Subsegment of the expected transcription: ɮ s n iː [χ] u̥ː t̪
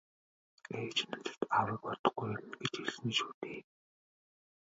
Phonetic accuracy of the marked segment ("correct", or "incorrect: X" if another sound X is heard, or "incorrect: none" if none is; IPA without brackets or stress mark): incorrect: ʃ